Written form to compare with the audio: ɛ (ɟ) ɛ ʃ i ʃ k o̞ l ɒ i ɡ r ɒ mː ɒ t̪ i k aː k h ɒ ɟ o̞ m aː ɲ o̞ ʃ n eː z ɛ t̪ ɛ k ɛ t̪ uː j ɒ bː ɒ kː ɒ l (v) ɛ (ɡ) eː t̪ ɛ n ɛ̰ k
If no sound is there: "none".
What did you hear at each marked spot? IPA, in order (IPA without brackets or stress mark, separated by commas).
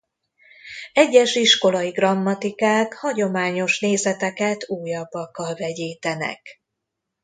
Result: ɟː, v, ɟ